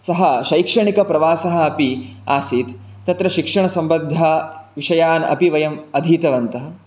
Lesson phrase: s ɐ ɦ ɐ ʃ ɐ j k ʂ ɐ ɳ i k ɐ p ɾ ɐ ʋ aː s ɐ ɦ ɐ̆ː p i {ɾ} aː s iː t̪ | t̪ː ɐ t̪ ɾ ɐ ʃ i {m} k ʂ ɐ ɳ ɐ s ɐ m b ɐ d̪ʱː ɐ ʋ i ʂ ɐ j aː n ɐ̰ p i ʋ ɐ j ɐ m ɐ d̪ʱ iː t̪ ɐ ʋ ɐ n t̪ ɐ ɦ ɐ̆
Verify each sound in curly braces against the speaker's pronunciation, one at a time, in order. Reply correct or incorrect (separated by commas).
incorrect, incorrect